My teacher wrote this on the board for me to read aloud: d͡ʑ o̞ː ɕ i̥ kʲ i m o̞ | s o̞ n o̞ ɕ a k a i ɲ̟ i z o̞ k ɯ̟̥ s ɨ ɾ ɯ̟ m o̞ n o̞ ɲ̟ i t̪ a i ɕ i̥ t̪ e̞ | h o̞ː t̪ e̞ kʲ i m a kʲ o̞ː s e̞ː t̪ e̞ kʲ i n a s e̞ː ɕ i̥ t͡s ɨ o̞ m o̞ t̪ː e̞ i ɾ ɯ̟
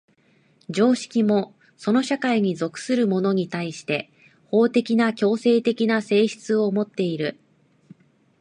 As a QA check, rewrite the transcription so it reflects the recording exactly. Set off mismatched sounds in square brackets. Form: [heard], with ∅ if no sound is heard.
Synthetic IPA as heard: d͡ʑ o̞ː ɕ i̥ kʲ i m o̞ | s o̞ n o̞ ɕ a k a i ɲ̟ i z o̞ k ɯ̟̥ s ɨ ɾ ɯ̟ m o̞ n o̞ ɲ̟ i t̪ a i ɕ i̥ t̪ e̞ | h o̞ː t̪ e̞ kʲ i [n] a kʲ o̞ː s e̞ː t̪ e̞ kʲ i n a s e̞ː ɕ i̥ t͡s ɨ o̞ m o̞ t̪ː e̞ i ɾ ɯ̟